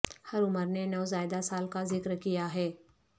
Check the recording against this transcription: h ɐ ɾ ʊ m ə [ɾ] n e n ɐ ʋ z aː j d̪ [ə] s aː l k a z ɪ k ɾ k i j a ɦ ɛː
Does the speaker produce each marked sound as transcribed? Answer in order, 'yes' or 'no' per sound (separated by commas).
yes, no